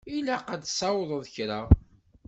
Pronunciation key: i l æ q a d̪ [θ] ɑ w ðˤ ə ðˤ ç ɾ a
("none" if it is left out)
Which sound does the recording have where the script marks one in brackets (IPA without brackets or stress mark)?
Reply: s